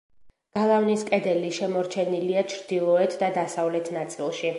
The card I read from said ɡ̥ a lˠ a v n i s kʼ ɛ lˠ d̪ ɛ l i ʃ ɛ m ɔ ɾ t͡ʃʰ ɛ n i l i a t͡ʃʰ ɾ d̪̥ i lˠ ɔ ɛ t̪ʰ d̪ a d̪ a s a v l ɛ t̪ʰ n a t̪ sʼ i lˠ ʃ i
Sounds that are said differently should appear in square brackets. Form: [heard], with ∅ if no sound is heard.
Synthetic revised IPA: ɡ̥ a lˠ a v n i s kʼ ɛ [∅] d̪ ɛ l i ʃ ɛ m ɔ ɾ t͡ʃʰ ɛ n i l i a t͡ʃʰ ɾ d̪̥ i lˠ ɔ ɛ t̪ʰ d̪ a d̪ a s a v l ɛ t̪ʰ n a t̪ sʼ i lˠ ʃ i